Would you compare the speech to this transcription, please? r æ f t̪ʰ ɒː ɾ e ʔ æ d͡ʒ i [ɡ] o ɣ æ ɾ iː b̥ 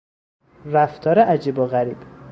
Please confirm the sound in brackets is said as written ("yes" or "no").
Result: no